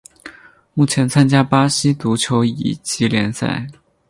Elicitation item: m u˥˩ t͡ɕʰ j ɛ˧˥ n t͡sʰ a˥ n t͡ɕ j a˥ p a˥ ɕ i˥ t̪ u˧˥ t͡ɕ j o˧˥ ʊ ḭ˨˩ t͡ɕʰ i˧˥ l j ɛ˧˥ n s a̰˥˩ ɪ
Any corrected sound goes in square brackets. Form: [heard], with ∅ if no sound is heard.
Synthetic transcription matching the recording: m u˥˩ t͡ɕʰ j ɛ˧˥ n t͡sʰ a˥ n t͡ɕ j a˥ p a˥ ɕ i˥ t̪ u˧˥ [t͡ɕʰ] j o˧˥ ʊ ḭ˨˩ [t͡ɕ] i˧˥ l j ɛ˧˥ n s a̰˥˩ ɪ

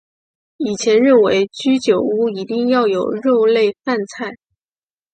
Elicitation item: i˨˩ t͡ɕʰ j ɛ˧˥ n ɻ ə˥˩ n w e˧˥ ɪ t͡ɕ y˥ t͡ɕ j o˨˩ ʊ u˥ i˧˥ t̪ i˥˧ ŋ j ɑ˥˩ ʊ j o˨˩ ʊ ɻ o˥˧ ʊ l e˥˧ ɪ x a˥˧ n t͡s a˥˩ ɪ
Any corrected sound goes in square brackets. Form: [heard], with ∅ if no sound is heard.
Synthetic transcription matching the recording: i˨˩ t͡ɕʰ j ɛ˧˥ n ɻ ə˥˩ n w e˧˥ ɪ t͡ɕ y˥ t͡ɕ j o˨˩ ʊ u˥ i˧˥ t̪ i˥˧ ŋ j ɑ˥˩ ʊ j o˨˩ ʊ ɻ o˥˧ ʊ l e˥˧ ɪ [f] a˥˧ n [t͡sʰ] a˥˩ ɪ

